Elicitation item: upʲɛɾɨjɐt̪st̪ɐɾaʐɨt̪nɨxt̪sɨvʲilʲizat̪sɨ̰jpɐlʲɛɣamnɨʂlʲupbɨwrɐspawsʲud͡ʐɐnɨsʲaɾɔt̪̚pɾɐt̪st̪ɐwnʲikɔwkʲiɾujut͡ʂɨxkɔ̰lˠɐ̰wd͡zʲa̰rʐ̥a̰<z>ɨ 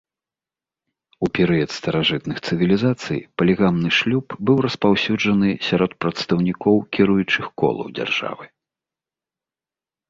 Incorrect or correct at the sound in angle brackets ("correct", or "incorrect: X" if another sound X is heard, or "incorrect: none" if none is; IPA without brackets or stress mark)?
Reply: incorrect: v